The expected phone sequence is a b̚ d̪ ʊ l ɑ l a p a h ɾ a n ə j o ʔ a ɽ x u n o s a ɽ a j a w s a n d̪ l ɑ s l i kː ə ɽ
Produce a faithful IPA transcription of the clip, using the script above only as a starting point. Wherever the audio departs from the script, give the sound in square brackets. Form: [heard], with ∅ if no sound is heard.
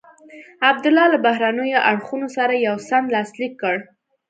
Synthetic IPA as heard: a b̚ d̪ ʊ l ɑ l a [b] a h ɾ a n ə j o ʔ a ɽ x u n o s a [ɾ] a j a w s a n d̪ l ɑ s l i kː ə ɽ